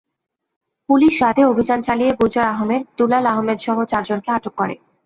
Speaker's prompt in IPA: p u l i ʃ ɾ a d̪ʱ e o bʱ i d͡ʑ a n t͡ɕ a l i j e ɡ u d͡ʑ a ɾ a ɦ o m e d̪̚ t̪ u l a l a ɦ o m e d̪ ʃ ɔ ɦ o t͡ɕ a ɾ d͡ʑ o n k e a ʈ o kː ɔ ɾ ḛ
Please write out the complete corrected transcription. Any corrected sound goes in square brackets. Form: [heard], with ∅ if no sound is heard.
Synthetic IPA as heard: p u l i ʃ ɾ a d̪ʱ e o bʱ i d͡ʑ a n t͡ɕ a l i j e ɡ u d͡ʑ a ɾ a ɦ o m e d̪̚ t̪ u l a l a ɦ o m e d̪ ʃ ɔ ɦ o t͡ɕ a ɾ d͡ʑ o n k e a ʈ o kː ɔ ɾ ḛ